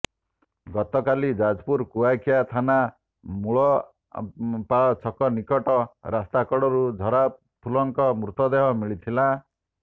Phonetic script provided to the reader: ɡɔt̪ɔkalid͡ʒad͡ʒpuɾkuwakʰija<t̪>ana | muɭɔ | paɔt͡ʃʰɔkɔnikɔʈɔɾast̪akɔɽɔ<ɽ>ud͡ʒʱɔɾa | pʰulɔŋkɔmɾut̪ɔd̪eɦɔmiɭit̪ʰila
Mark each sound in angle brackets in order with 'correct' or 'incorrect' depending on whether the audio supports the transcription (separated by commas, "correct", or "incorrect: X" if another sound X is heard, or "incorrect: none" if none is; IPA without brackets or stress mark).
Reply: incorrect: t̪ʰ, incorrect: ɾ